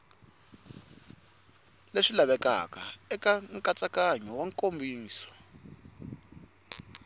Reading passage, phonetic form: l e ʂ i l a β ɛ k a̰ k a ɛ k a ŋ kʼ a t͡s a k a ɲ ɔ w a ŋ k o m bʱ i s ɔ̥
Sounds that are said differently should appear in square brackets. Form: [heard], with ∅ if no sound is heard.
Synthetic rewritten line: l e ʂ i l a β ɛ k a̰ k a ɛ k a ŋ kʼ a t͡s a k a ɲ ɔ w a ŋ k o m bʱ [iː] s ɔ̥